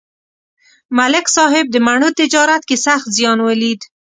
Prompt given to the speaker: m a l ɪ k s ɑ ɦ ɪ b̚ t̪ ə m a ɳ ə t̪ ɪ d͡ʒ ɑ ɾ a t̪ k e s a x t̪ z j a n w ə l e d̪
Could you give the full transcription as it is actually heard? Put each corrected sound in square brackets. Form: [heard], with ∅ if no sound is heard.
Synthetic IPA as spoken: m a l ɪ k s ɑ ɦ ɪ b̚ [d̪] ə m a ɳ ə t̪ ɪ d͡ʒ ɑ ɾ a t̪ k e s a x t̪ z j [ɑ] n w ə l [i] d̪